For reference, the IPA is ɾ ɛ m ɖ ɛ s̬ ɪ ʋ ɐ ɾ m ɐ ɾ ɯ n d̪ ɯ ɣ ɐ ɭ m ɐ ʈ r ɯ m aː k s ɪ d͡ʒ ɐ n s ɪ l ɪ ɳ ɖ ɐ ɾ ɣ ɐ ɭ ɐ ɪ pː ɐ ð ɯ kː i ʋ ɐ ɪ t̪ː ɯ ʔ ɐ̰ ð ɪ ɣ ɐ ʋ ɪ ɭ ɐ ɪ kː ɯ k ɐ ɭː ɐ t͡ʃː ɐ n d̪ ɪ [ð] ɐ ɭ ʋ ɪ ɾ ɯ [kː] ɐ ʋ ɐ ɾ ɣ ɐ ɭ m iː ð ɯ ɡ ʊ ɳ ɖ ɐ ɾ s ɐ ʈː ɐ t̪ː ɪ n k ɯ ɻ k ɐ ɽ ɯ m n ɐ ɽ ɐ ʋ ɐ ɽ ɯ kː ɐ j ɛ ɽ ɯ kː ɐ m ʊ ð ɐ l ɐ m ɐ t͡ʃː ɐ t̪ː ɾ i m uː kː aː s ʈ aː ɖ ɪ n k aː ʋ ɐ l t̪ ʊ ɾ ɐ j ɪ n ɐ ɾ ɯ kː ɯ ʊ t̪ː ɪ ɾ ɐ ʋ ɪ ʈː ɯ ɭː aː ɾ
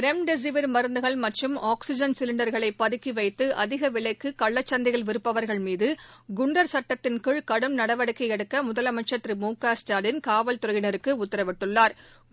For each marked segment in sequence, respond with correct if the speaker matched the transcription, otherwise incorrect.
incorrect, incorrect

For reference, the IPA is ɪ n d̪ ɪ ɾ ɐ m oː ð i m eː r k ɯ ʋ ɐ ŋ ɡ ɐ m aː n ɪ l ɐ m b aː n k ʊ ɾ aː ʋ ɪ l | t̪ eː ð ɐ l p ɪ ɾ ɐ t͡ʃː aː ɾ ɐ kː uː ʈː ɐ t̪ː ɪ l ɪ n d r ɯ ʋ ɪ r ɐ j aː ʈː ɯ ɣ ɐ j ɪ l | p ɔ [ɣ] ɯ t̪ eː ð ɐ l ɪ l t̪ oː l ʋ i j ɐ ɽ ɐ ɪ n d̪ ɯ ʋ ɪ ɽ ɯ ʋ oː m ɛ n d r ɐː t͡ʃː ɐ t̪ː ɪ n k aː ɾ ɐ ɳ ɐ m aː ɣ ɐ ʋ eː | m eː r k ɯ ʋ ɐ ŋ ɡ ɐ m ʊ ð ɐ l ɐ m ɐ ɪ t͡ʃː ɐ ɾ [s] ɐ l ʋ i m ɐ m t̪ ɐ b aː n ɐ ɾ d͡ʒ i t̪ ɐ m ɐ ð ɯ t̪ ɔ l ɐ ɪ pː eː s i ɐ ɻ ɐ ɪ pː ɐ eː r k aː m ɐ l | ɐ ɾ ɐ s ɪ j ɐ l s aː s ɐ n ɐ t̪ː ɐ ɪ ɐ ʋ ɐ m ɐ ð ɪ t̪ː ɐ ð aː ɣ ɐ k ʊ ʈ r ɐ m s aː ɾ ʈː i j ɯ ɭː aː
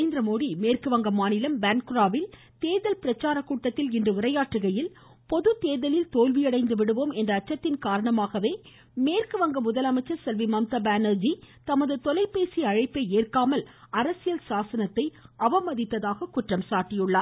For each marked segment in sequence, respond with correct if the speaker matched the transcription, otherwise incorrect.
incorrect, correct

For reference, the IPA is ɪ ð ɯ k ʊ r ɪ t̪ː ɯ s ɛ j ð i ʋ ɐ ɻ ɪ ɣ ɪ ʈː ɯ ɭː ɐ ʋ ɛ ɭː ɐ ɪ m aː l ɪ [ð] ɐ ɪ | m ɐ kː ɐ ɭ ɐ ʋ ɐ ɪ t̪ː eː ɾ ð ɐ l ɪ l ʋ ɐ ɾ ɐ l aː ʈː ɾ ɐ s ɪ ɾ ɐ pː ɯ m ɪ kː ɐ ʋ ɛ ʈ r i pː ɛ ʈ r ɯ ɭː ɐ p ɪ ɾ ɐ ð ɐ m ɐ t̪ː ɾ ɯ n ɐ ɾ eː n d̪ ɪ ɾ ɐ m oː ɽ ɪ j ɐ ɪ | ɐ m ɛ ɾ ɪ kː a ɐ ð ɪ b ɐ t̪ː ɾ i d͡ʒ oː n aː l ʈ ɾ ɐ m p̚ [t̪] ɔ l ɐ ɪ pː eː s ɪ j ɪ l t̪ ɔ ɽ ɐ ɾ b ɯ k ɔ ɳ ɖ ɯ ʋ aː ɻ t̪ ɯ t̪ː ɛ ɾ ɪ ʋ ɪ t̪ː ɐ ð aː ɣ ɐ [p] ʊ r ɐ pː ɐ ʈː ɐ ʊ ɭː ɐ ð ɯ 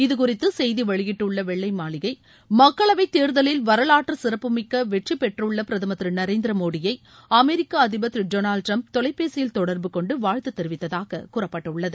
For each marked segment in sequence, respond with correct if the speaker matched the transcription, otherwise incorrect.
incorrect, correct, incorrect

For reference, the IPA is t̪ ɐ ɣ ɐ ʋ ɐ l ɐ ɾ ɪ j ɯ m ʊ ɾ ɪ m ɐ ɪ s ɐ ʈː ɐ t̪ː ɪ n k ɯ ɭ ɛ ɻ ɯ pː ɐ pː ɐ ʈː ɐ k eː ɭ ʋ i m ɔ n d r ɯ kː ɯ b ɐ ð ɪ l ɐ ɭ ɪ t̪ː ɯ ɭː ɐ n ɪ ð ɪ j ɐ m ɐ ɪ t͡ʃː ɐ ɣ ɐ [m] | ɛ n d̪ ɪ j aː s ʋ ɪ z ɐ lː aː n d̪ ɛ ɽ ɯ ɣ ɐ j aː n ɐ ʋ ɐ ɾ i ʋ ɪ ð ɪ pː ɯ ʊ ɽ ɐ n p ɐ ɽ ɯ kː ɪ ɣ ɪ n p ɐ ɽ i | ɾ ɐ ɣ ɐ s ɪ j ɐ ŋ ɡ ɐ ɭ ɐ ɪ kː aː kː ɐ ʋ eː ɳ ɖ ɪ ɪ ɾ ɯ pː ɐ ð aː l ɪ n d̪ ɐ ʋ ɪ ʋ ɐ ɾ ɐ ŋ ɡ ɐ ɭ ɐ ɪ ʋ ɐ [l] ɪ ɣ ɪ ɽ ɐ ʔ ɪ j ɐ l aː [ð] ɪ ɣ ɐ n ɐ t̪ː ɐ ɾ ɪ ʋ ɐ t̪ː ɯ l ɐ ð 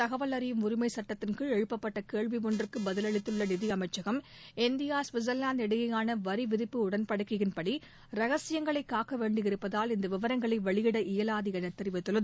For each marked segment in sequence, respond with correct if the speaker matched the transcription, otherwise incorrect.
correct, incorrect, correct

